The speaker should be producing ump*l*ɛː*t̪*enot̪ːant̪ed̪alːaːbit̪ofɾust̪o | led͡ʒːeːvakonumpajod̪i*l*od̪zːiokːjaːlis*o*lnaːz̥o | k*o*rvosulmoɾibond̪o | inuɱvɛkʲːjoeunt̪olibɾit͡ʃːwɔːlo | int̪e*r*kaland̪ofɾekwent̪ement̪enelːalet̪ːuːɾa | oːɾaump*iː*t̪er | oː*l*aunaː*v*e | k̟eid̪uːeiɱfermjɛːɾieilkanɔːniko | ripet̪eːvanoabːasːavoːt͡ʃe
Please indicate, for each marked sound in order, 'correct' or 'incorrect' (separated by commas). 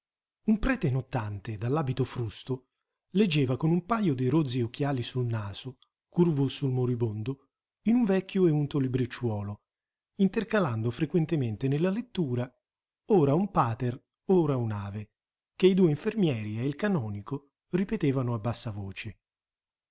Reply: incorrect, correct, incorrect, incorrect, incorrect, correct, incorrect, incorrect, correct